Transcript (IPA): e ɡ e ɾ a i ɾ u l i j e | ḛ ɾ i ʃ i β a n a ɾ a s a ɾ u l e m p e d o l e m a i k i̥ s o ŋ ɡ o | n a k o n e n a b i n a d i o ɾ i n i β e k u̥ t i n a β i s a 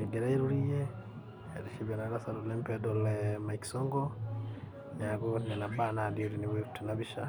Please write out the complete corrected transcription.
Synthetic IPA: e ɡ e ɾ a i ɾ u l i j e | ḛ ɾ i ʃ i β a n a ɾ a s a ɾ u l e m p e d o l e m a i k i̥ s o ŋ ɡ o | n a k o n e n a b a n a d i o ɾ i n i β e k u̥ t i n a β i ʃ a